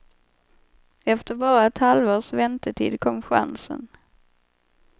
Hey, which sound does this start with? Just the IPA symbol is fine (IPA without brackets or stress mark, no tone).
ɛ